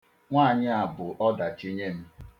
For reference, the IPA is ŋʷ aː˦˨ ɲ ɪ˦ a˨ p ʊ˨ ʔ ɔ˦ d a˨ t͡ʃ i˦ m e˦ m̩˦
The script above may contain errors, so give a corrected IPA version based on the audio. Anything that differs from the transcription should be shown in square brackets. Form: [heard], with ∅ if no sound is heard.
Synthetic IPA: ŋʷ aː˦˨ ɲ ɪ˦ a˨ [b] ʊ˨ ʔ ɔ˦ d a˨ t͡ʃ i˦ [ɲ] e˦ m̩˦

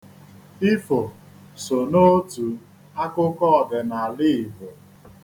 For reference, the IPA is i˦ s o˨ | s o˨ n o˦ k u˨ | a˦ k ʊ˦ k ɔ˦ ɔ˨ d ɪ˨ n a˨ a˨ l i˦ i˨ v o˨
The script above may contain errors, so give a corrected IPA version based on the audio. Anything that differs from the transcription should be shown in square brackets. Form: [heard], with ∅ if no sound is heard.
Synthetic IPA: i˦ [f] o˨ | s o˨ n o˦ [t] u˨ | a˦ k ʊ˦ k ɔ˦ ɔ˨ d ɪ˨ n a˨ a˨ l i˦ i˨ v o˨

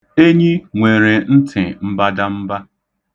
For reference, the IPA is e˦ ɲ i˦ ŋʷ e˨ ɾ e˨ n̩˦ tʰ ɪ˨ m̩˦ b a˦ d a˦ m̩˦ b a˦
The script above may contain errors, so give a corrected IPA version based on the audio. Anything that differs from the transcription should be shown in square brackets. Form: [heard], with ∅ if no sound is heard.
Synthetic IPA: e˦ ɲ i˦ ŋʷ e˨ ɾ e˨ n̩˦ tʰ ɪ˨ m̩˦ b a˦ d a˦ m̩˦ b a˦

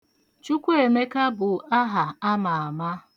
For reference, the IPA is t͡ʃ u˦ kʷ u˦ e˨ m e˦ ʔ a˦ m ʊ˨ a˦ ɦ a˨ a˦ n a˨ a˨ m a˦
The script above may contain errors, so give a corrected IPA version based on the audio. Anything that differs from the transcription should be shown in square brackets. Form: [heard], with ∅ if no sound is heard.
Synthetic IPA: t͡ʃ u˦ kʷ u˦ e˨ m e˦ [k] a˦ [b] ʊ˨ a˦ ɦ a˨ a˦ [m] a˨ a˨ m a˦

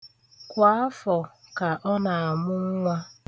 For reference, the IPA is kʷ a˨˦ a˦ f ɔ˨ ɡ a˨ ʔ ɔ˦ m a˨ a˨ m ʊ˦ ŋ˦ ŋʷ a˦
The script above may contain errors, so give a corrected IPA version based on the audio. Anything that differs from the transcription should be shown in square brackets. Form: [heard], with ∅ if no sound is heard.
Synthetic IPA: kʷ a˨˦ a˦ f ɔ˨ [k] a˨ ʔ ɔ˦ [n] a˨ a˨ m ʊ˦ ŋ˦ ŋʷ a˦

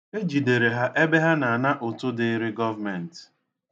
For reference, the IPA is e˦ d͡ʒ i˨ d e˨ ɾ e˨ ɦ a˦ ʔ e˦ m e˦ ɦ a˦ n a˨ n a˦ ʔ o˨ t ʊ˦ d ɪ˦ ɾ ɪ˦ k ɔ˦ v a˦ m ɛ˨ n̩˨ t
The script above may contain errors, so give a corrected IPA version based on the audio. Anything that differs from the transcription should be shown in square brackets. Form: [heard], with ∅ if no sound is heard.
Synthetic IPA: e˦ d͡ʒ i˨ d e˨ ɾ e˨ ɦ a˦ ʔ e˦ [b] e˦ ɦ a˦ n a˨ n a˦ ʔ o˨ t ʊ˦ d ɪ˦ ɾ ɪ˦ [ɡ] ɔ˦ v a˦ m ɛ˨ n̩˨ t

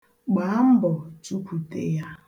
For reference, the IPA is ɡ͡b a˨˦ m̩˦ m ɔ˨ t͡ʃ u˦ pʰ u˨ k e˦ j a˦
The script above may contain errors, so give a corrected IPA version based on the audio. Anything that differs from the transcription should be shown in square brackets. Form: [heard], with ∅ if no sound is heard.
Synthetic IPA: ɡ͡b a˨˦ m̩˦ [b] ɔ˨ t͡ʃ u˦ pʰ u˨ [t] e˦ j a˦

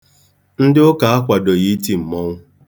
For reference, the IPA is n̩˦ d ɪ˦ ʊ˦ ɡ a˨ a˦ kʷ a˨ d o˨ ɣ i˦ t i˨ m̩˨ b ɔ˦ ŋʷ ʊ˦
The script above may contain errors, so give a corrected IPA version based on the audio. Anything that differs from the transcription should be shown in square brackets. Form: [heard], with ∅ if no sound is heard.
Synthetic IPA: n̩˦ d ɪ˦ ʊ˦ [k] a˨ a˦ kʷ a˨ d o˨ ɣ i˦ t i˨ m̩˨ [m] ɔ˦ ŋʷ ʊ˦

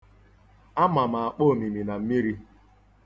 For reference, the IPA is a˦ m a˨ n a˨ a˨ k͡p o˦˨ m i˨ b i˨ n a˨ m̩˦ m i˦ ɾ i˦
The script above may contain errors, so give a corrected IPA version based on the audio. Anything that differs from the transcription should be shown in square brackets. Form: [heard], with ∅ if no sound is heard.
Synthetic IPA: a˦ m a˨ [m] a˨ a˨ k͡p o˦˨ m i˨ [m] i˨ n a˨ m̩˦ m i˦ ɾ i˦

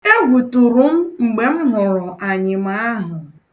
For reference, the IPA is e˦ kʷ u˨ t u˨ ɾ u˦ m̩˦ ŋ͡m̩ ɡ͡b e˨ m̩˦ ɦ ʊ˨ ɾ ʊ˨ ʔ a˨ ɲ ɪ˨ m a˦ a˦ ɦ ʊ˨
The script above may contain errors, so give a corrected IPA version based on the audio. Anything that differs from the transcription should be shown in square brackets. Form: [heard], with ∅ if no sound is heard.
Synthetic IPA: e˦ [ɡʷ] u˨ t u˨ ɾ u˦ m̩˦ ŋ͡m̩ ɡ͡b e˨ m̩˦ ɦ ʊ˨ ɾ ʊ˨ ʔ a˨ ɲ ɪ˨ m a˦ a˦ ɦ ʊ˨

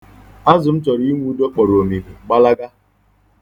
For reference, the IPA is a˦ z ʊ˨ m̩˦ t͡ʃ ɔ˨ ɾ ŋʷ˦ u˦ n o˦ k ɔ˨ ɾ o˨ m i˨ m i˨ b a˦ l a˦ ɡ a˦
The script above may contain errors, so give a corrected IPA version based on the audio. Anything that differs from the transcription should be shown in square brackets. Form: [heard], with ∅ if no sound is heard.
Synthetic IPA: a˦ z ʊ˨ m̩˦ t͡ʃ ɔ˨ ɾ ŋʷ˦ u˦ [d] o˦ [k͡p] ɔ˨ ɾ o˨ m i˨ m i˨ [ɡ͡b] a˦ l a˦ ɡ a˦

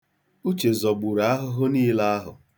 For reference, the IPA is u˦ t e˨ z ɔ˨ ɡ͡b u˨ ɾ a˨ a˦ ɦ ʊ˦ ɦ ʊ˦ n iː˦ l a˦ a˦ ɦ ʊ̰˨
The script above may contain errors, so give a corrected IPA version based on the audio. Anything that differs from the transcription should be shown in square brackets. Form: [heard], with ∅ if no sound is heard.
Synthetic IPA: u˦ [t͡ʃ] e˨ z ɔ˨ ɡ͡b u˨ ɾ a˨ a˦ ɦ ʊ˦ ɦ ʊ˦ n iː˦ l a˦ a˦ ɦ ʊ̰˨

